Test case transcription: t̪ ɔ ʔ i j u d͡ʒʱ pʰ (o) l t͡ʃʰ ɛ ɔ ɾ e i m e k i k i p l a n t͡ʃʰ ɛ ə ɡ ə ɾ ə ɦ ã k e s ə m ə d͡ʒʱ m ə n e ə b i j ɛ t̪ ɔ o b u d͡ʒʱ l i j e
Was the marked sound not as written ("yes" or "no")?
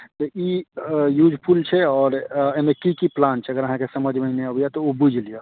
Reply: yes